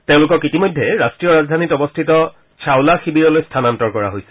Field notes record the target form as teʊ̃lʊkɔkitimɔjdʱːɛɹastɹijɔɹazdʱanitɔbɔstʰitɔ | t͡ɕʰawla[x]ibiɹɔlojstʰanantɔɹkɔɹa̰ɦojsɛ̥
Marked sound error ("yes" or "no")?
no